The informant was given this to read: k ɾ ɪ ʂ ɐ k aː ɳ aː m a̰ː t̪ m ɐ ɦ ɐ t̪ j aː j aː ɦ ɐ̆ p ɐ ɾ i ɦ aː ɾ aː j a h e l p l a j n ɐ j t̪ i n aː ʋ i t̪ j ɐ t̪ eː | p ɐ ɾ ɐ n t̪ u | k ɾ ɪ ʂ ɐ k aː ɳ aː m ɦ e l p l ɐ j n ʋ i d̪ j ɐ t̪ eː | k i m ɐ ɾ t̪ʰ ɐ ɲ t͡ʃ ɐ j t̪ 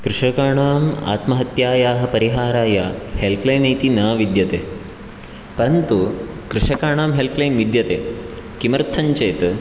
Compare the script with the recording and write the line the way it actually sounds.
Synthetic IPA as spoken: k ɾ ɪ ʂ ɐ k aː ɳ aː m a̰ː t̪ m ɐ ɦ ɐ t̪ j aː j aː ɦ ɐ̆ p ɐ ɾ i ɦ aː ɾ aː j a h e l p l ɐ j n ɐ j t̪ i n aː ʋ i d̪ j ɐ t̪ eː | p ɐ ɾ ɐ n t̪ u | k ɾ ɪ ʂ ɐ k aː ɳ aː m ɦ e l p l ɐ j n ʋ i d̪ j ɐ t̪ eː | k i m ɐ ɾ t̪ʰ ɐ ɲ t͡ʃ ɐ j t̪